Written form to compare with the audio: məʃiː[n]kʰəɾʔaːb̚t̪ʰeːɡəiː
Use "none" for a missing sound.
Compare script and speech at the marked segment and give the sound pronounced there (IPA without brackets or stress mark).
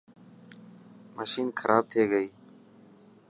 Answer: n